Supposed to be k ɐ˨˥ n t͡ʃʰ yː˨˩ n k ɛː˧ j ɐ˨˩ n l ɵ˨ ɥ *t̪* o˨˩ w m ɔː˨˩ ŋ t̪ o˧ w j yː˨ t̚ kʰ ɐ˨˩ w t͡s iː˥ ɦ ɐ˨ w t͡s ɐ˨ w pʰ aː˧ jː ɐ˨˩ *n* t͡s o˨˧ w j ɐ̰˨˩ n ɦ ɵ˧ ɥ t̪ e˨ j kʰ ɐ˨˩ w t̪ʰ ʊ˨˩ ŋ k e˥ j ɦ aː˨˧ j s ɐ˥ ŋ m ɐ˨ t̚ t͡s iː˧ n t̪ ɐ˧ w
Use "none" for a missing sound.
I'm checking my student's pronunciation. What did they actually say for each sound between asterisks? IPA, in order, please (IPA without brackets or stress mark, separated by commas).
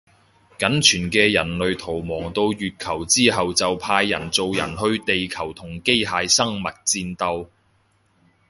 t̪ʰ, n